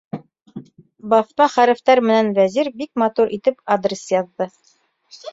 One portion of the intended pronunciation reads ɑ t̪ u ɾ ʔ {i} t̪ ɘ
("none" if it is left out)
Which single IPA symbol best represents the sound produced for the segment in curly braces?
i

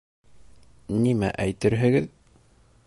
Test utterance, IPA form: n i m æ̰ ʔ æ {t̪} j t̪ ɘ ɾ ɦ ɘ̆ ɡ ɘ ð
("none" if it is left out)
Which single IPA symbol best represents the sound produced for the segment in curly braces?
none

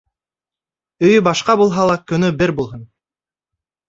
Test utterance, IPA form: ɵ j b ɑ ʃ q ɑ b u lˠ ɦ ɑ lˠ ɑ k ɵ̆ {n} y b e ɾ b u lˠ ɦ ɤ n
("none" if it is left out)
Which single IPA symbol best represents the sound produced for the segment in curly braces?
n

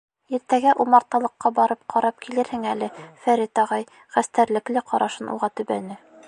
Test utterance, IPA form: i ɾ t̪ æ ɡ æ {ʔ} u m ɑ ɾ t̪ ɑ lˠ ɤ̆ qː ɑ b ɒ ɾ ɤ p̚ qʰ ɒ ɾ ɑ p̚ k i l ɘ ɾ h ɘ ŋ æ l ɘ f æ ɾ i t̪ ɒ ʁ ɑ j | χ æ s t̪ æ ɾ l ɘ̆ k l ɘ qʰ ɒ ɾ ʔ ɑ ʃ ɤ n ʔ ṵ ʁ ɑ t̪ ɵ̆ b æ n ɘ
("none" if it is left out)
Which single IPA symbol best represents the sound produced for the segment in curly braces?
ʔ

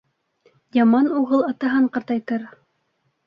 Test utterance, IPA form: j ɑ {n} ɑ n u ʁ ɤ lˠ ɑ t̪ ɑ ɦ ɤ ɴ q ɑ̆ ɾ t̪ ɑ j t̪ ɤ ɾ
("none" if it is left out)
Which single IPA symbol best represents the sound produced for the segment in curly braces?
m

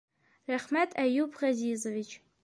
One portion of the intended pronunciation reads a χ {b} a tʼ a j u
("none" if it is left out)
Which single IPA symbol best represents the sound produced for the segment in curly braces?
m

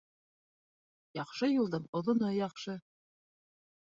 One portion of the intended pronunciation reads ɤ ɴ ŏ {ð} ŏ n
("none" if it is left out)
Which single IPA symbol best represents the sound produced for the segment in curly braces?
ð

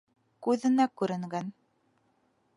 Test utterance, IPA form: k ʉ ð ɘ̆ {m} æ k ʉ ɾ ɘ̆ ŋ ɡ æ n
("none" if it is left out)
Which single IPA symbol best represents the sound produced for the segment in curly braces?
n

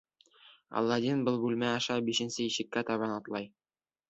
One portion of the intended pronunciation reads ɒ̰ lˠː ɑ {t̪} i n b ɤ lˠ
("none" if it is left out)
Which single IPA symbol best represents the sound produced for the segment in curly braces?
d̪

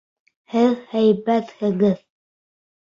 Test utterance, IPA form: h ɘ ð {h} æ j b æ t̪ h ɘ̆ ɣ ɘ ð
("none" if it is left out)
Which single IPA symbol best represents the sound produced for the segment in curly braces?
h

